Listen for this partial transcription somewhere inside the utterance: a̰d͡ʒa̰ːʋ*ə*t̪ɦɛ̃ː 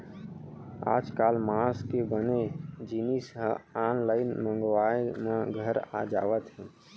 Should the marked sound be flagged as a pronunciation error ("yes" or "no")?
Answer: no